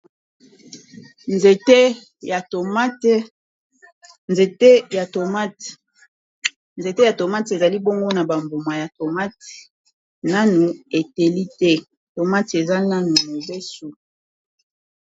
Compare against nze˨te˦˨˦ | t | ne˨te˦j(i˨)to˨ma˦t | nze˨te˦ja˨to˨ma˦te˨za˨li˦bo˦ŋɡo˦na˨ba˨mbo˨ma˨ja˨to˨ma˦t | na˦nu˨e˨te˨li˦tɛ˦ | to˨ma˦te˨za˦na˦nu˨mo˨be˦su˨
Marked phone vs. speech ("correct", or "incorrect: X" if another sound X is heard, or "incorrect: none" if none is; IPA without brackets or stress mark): incorrect: a˨